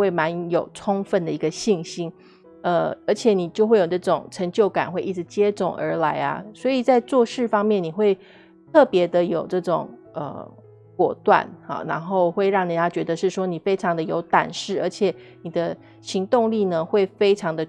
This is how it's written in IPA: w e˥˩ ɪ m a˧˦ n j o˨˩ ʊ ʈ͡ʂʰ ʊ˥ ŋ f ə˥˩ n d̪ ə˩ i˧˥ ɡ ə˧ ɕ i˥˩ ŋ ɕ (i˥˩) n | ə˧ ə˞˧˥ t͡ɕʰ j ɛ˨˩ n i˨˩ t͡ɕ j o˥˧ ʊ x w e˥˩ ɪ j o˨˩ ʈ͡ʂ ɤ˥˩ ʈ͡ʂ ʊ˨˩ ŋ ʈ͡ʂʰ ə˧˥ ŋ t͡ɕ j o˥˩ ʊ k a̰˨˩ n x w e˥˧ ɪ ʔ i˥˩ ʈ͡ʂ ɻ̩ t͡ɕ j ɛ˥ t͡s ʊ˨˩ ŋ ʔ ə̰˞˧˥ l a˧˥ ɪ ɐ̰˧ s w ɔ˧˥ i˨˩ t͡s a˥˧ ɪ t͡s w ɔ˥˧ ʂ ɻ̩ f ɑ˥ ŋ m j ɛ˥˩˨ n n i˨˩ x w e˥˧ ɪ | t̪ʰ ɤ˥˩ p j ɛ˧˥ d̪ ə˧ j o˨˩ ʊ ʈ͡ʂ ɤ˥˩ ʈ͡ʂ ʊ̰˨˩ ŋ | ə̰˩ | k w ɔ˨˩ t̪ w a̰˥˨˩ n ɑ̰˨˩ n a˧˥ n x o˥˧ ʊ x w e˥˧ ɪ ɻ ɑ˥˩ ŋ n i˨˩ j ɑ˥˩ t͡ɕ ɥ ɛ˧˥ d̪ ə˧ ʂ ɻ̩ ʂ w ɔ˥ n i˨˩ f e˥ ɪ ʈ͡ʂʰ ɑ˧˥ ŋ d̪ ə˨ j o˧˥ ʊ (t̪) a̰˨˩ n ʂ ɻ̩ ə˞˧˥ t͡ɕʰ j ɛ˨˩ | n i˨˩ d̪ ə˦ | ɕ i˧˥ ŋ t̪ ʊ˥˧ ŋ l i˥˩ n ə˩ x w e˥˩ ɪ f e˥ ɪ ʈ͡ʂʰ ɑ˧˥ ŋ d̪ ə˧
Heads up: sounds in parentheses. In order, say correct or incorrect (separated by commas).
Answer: incorrect, correct